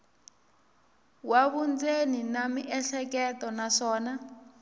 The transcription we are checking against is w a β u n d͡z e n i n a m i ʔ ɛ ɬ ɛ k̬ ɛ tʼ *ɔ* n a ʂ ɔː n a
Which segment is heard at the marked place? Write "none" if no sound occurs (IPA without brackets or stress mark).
ɔ